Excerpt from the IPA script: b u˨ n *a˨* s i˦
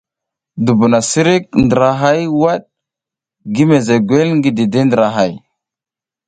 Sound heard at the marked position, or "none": a˨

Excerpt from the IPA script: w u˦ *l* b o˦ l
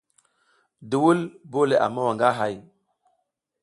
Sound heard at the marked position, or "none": l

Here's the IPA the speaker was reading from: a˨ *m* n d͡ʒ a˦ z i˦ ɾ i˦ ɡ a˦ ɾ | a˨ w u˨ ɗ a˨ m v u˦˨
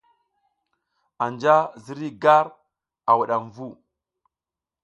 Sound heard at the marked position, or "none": none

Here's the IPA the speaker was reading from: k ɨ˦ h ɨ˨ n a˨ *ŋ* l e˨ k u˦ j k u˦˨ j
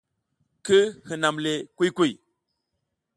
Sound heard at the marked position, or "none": m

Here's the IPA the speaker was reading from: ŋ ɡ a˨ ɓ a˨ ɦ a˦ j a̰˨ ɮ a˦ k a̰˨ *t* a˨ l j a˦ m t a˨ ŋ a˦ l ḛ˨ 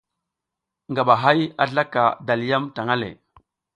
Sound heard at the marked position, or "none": d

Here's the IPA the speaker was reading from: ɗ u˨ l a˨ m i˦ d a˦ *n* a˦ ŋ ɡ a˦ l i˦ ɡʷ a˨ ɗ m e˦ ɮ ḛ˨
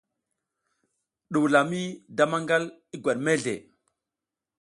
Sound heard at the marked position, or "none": m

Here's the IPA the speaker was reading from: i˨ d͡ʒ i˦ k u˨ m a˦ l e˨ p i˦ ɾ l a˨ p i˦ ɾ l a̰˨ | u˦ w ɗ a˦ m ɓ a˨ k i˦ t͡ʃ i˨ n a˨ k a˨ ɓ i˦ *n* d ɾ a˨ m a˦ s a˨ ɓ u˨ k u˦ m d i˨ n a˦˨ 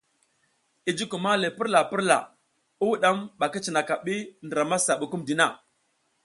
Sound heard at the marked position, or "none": n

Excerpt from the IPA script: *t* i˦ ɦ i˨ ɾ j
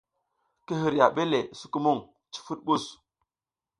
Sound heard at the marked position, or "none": k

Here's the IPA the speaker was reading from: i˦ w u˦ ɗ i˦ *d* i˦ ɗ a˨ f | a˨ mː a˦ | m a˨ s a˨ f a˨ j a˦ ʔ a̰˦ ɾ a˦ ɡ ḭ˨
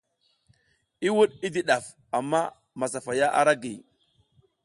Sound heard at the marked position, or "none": d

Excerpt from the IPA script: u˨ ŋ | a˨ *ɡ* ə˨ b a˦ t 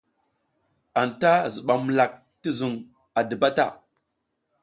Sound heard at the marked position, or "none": d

